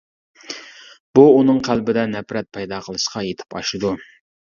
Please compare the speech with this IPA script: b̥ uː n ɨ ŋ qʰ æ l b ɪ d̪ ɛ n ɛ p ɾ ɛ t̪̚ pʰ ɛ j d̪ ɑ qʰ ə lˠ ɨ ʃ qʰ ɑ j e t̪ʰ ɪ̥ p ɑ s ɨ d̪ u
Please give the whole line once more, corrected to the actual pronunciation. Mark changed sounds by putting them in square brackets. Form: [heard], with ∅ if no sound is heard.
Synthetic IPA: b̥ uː n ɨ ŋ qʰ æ l b ɪ d̪ ɛ n ɛ p ɾ ɛ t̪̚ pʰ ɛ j d̪ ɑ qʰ ə lˠ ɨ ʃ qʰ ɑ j e t̪ʰ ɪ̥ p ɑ [ʃ] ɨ d̪ u